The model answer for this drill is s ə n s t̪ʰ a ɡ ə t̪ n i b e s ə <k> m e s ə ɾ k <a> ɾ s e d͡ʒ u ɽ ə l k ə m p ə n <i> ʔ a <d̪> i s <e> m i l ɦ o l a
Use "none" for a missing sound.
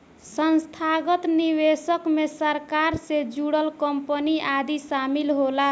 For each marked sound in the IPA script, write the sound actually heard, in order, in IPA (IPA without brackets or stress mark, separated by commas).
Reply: k, a, i, d̪, a